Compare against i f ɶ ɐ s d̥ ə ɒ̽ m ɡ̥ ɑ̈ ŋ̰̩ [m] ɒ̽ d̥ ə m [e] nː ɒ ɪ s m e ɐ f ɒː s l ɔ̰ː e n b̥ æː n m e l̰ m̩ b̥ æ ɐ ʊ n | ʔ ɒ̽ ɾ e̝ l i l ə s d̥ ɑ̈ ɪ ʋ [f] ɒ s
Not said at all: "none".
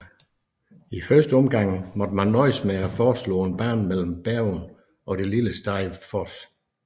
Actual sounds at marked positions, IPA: m, æ, f

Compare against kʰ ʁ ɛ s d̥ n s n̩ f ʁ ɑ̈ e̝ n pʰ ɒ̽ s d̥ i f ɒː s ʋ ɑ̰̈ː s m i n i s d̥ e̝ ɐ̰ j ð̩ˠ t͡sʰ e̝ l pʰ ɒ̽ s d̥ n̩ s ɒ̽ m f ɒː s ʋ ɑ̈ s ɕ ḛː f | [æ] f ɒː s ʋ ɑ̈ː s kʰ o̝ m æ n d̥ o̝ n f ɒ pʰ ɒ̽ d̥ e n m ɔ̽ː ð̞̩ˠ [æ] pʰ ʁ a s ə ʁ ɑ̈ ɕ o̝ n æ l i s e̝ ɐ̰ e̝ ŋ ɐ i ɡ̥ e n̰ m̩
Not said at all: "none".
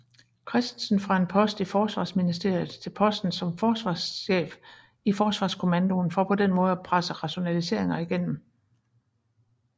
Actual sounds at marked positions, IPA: i, æ

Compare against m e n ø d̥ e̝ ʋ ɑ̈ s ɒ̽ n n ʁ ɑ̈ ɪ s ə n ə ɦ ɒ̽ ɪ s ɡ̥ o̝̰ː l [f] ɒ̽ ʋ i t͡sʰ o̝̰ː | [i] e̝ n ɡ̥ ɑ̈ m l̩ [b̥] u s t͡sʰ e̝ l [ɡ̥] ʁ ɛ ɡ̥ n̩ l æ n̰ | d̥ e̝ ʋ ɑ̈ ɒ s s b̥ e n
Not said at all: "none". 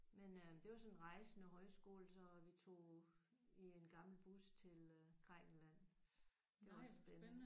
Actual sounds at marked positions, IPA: s, i, b̥, ɡ̥

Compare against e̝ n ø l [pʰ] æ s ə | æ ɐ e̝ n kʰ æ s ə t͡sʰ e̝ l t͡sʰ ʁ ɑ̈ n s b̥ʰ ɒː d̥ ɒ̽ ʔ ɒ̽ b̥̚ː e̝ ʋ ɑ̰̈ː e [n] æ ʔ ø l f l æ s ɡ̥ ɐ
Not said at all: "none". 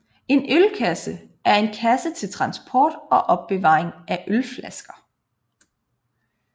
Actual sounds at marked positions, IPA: kʰ, ŋ

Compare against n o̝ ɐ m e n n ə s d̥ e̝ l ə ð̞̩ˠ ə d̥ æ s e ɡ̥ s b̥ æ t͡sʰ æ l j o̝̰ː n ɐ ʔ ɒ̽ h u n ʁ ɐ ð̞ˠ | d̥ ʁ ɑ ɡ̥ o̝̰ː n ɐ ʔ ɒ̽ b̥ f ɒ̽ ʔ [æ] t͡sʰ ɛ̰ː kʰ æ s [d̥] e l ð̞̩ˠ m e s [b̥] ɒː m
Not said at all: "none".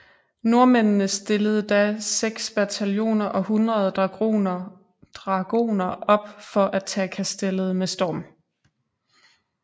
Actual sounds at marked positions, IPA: æ, d̥, d̥

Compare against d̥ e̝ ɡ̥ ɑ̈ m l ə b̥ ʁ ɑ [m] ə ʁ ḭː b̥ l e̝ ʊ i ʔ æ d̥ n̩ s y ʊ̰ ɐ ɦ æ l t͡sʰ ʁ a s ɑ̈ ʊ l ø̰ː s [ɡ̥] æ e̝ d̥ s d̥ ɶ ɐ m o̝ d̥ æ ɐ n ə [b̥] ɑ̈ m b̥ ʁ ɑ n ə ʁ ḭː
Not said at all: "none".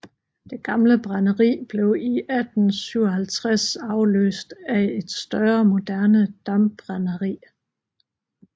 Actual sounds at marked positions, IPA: n, d̥, d̥

